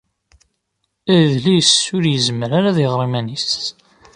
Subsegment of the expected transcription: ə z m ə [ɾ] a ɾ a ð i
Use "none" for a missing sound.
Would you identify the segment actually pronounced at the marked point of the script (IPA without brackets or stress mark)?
ɾ